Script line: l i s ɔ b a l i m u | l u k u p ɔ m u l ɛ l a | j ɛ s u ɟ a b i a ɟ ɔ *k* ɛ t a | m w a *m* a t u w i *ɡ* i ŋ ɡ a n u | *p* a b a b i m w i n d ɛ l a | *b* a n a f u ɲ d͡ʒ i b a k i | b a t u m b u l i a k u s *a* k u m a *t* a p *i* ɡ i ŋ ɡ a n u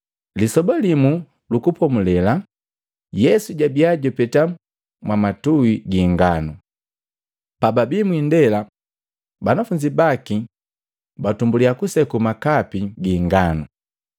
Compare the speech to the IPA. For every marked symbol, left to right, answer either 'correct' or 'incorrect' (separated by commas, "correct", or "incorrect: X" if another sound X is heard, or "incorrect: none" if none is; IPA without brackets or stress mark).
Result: incorrect: p, correct, correct, correct, correct, incorrect: ɛ, incorrect: k, correct